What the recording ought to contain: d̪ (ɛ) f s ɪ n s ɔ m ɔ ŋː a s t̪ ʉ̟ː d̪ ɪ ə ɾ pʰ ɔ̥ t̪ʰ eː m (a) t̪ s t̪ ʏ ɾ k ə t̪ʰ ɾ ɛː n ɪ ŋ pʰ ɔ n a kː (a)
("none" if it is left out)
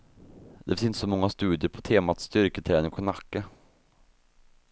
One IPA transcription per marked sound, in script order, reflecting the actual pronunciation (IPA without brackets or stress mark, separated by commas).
ɛ, a, ə